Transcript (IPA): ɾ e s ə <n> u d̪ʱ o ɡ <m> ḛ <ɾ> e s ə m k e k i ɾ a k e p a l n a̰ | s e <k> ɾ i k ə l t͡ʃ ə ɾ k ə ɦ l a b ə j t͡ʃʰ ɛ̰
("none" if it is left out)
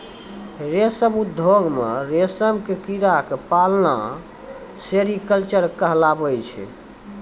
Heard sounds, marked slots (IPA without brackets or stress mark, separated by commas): m, m, ɾ, none